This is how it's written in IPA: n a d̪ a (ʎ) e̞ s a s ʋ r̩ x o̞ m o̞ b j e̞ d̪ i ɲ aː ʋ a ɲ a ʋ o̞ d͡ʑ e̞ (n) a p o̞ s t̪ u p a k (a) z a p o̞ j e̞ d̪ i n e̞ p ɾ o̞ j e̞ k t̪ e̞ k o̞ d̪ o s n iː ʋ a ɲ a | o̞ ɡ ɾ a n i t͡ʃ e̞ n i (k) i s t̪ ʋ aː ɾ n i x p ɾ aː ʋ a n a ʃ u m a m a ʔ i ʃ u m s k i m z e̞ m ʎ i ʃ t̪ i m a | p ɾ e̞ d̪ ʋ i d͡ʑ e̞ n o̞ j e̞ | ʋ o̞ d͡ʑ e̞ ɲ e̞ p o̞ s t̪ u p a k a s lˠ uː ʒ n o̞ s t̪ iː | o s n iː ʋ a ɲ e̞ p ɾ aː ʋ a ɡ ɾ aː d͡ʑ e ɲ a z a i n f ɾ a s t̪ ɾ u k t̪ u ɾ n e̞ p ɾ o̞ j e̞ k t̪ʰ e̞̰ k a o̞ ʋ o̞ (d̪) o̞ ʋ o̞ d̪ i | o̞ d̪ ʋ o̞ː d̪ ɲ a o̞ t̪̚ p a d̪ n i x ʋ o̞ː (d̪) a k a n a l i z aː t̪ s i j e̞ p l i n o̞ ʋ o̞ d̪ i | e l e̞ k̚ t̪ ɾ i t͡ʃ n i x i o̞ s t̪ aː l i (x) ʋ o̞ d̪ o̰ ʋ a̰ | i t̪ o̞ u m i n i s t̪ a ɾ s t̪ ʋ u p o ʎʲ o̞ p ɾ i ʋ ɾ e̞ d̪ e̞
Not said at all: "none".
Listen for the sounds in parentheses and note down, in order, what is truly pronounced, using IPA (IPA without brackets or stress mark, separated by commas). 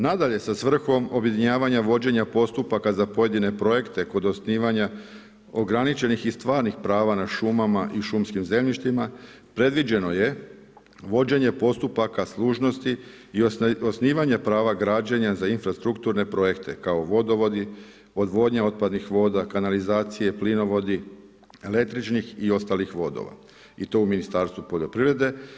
ʎ, ɲ, a, x, d̪, d̪, x